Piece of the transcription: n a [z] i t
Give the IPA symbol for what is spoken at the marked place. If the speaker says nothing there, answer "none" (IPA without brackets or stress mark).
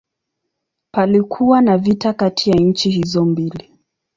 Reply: v